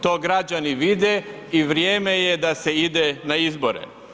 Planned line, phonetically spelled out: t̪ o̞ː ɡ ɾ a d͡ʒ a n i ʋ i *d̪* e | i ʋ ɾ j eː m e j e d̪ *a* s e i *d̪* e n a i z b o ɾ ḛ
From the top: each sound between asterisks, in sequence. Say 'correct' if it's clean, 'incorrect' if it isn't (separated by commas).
correct, correct, correct